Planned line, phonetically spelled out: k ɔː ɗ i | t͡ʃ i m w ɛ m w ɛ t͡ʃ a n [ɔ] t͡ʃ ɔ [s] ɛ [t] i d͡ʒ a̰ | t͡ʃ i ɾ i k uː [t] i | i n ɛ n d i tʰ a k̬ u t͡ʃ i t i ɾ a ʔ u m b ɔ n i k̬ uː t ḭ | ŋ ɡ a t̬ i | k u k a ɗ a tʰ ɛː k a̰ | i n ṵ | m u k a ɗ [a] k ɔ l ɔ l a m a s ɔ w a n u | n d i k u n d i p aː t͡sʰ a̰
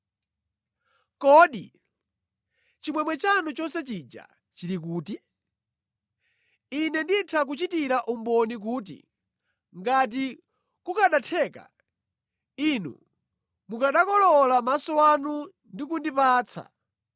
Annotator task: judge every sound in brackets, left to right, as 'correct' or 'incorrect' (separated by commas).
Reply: incorrect, correct, incorrect, correct, correct